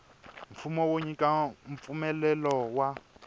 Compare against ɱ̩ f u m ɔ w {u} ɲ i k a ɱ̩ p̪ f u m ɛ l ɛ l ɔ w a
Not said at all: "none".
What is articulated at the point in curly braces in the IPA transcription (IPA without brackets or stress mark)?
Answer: o